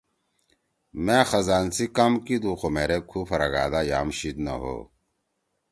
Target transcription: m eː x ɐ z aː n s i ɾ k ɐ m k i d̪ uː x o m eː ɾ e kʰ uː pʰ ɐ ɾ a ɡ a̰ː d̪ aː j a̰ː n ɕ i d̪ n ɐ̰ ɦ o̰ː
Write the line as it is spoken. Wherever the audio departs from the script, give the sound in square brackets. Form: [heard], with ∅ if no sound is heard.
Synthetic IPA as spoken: m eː x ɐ z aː n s i [∅] k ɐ m k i d̪ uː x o m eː ɾ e kʰ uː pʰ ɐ ɾ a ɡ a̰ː d̪ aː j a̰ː [m] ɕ i d̪ n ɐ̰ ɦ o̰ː